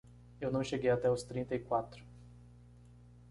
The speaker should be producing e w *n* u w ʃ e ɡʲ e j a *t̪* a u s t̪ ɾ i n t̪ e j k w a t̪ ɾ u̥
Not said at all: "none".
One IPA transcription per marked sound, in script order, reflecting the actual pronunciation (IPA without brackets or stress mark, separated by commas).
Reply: n, t̪